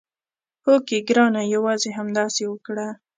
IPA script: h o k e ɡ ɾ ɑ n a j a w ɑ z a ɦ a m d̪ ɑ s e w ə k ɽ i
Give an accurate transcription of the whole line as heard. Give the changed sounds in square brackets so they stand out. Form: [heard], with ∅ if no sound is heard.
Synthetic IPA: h o k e ɡ ɾ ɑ n a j a w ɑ z [e] ɦ a m d̪ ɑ s e w ə k ɽ [a]